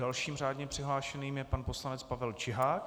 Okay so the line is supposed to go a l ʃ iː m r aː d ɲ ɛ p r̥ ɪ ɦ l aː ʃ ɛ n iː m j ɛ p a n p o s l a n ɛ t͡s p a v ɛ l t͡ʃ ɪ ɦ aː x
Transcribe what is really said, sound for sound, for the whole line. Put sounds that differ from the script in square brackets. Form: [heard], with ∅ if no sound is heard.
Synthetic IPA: a l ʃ iː m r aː d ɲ ɛ p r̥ ɪ ɦ l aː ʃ ɛ n iː m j ɛ p a n p o s l a n ɛ t͡s p a v ɛ l t͡ʃ ɪ ɦ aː [k]